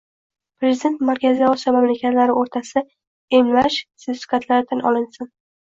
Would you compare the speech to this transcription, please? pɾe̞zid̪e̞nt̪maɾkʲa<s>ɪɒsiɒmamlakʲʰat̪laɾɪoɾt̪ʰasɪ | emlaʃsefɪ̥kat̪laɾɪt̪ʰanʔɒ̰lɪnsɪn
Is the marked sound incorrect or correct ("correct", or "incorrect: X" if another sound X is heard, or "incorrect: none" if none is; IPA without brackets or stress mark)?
incorrect: z